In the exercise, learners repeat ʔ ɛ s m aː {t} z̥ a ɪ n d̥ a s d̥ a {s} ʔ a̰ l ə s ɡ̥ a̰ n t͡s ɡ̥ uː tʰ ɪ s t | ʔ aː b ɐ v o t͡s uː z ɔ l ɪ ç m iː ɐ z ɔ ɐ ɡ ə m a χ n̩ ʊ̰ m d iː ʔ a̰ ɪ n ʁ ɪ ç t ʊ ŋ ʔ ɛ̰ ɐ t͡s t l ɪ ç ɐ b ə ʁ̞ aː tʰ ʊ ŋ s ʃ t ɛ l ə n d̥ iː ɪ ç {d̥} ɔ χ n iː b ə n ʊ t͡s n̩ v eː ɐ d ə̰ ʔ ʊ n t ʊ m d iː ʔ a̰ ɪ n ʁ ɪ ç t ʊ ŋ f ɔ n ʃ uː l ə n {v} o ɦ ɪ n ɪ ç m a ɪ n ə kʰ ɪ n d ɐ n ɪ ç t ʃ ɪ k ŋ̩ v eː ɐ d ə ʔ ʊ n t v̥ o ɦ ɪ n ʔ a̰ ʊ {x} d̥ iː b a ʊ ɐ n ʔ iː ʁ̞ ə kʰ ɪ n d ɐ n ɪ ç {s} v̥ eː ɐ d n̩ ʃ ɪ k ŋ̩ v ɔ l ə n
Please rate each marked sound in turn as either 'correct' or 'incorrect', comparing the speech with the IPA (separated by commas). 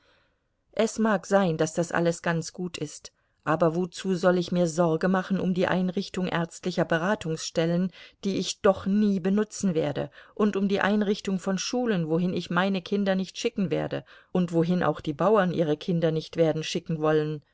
incorrect, correct, correct, correct, correct, incorrect